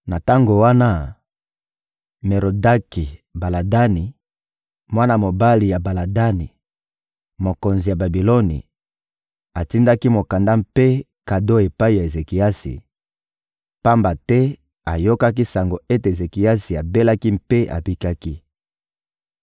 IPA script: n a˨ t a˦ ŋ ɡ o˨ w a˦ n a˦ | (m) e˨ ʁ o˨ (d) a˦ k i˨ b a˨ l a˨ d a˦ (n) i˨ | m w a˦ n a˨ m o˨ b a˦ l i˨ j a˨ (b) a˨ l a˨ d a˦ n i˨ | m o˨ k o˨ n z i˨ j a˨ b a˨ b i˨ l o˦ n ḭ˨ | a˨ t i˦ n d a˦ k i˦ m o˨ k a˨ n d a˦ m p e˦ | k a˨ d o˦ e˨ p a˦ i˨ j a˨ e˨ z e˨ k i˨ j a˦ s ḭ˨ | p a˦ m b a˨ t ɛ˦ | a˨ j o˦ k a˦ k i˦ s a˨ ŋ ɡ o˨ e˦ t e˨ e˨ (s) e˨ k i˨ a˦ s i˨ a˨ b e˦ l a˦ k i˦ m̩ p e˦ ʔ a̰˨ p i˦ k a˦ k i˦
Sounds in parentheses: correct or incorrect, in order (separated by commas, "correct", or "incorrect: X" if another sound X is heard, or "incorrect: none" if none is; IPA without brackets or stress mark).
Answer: correct, correct, correct, correct, incorrect: z